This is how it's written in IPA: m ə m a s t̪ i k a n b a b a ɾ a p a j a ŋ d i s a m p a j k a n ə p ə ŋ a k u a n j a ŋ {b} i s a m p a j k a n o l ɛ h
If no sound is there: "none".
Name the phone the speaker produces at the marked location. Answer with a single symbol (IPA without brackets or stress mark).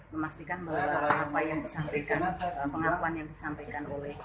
d